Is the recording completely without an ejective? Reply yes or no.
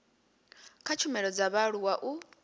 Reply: yes